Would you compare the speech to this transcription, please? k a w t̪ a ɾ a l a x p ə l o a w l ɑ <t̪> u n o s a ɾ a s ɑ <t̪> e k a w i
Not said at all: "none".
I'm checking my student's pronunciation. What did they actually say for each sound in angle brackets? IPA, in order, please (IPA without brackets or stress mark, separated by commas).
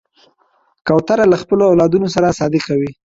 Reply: d̪, d̪